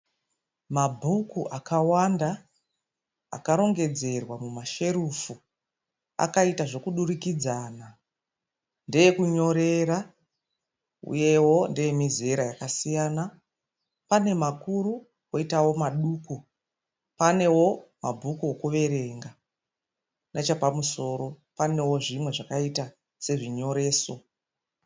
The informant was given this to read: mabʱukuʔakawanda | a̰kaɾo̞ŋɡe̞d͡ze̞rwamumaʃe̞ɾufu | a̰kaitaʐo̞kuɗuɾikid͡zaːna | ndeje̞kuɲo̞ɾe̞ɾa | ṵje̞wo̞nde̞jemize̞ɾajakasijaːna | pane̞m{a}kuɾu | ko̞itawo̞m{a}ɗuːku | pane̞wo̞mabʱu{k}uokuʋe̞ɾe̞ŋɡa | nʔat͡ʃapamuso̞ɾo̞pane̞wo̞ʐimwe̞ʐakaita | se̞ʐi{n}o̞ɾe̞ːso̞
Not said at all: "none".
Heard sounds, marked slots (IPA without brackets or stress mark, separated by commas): a, a, k, ɲ